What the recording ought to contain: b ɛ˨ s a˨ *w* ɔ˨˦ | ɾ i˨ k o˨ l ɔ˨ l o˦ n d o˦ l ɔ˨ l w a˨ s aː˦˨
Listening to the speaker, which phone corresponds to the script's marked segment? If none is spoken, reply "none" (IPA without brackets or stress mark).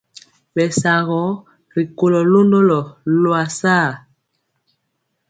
ɣ